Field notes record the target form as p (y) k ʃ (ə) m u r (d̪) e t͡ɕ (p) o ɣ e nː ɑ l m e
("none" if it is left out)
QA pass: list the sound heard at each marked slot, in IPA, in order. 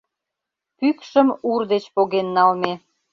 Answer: y, ə, d̪, p

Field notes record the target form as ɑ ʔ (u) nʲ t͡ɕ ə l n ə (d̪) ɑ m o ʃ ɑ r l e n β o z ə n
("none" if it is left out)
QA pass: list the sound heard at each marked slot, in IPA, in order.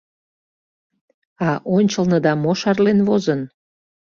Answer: o, d̪

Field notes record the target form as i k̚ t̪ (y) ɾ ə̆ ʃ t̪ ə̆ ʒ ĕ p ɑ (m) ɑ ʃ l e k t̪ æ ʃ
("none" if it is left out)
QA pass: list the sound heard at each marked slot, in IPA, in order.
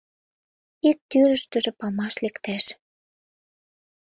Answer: y, m

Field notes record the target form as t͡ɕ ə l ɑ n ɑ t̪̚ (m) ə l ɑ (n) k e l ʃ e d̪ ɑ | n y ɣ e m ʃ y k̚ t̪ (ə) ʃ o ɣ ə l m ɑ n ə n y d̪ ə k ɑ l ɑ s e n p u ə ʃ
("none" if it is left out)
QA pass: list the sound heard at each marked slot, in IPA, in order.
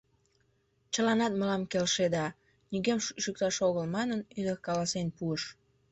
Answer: m, m, ɑ

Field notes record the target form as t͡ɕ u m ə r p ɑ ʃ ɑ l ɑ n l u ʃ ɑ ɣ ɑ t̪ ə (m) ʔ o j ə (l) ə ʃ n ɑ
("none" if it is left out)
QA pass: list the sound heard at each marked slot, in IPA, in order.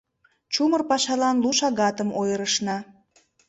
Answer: m, ɾ

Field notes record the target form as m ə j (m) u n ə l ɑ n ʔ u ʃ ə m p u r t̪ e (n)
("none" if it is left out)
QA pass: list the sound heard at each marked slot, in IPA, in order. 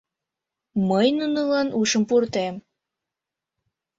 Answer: n, m

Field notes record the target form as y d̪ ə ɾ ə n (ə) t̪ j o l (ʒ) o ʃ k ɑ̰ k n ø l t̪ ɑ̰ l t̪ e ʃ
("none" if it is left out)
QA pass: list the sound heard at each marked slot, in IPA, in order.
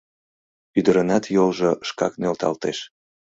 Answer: ɑ, ʒ

